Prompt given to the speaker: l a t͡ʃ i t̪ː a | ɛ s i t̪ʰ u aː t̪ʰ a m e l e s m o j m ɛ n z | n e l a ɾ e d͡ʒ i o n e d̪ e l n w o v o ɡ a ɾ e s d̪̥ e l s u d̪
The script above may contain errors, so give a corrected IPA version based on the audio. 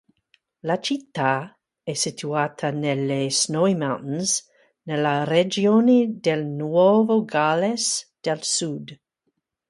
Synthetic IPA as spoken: l a t͡ʃ i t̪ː a | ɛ s i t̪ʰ u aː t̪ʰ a n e l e s n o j m a n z | n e l a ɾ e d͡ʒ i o n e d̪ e l n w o v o ɡ a l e s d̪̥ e l s u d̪